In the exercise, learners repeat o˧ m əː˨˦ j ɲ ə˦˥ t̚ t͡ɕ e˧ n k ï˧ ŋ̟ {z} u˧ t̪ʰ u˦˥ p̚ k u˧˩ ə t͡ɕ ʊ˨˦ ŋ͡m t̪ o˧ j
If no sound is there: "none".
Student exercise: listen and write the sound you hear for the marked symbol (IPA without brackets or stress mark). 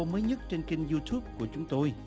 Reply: z